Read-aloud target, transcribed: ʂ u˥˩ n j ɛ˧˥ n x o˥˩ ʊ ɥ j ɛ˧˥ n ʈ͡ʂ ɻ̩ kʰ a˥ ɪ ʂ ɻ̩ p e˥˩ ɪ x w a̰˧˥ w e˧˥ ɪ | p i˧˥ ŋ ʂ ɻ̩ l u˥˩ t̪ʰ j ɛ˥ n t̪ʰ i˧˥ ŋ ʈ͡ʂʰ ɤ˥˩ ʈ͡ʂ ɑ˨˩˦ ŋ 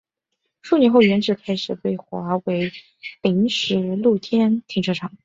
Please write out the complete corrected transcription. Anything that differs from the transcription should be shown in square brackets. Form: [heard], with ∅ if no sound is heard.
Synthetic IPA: ʂ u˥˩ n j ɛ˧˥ n x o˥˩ ʊ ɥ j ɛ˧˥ n ʈ͡ʂ ɻ̩ kʰ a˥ ɪ ʂ ɻ̩ p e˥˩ ɪ x w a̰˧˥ w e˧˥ ɪ | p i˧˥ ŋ ʂ ɻ̩ l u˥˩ t̪ʰ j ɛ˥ n t̪ʰ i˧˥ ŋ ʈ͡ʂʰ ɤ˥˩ [ʈ͡ʂʰ] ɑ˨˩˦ ŋ